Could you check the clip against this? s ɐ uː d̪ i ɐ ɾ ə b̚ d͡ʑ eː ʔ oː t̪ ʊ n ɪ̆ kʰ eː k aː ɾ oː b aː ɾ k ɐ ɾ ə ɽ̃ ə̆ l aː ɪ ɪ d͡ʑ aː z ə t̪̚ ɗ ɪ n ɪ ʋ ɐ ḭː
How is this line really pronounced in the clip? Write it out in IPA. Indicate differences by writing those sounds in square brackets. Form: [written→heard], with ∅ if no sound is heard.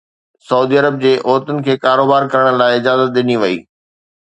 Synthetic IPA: s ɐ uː d̪ i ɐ ɾ ə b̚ d͡ʑ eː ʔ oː t̪ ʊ n ɪ̆ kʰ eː k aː ɾ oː b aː ɾ k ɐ ɾ ə ɽ̃ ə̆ l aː ɪ ɪ d͡ʑ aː z ə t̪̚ ɗ ɪ n [ɪ→i] ʋ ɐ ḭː